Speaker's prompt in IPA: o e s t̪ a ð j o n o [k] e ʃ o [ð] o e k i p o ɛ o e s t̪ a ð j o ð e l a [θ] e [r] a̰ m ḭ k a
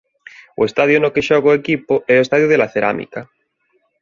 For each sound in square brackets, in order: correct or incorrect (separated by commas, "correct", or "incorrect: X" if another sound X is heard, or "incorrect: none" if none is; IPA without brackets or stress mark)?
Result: correct, incorrect: ɣ, correct, incorrect: ɾ